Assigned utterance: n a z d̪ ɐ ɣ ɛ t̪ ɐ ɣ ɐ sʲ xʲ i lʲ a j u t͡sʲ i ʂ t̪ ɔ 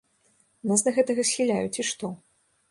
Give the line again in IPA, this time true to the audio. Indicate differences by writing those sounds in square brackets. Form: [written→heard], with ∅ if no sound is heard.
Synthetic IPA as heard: n a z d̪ ɐ ɣ ɛ t̪ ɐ ɣ ɐ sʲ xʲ i lʲ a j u t͡sʲ i ʂ t̪ ɔ